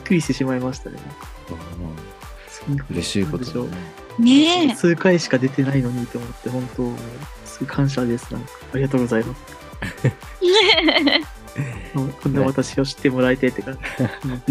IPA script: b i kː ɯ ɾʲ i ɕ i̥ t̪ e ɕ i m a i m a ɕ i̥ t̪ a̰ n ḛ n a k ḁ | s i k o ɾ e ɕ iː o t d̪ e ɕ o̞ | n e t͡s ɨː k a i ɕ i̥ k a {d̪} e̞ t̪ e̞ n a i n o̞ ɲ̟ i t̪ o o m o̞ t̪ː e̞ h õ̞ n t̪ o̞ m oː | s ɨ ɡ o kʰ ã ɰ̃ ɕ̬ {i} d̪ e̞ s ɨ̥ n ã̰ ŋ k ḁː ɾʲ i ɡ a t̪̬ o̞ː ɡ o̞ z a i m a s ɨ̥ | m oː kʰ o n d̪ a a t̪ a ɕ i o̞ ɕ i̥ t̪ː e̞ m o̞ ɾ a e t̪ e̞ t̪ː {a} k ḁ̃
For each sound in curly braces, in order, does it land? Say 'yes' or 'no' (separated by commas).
yes, no, no